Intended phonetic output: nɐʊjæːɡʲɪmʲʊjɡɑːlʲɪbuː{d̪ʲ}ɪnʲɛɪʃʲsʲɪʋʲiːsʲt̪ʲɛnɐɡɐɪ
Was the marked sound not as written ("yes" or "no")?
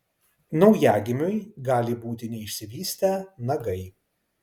yes